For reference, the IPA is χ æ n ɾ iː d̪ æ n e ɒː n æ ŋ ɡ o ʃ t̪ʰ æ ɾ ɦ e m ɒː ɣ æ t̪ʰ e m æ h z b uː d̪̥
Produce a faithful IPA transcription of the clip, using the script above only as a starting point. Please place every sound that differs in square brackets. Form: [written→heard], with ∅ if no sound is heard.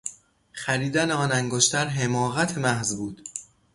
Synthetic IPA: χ æ [n→∅] ɾ iː d̪ æ n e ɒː n æ ŋ ɡ o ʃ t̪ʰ æ ɾ ɦ e m ɒː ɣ æ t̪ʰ e m æ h z b uː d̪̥